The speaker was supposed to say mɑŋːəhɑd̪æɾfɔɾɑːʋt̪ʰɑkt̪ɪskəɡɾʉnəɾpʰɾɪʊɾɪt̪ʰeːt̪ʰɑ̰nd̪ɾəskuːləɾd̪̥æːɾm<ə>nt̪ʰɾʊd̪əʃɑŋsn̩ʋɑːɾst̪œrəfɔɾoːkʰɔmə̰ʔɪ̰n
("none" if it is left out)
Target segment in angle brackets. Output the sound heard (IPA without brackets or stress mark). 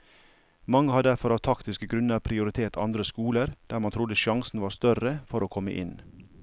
ɑ